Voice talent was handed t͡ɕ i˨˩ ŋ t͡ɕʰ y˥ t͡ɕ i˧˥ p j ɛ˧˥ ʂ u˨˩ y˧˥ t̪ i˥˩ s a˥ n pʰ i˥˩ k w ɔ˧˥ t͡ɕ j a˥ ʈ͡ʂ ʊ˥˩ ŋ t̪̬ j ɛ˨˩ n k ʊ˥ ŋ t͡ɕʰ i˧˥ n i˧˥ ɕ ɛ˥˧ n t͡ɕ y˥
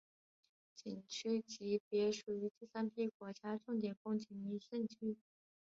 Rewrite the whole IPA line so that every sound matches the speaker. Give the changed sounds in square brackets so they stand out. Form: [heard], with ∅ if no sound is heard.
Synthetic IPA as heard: t͡ɕ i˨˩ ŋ t͡ɕʰ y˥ t͡ɕ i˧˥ p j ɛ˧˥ ʂ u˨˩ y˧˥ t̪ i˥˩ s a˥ n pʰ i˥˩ k w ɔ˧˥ t͡ɕ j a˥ ʈ͡ʂ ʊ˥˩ ŋ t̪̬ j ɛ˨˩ n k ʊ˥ ŋ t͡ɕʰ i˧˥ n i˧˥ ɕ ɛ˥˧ n [t͡ɕʰ] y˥